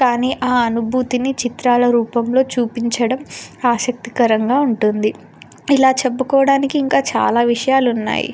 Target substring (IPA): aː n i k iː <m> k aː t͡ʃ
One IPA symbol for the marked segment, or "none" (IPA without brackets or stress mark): ŋ